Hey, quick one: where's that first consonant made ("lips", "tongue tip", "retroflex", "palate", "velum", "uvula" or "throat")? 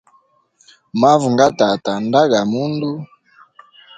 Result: lips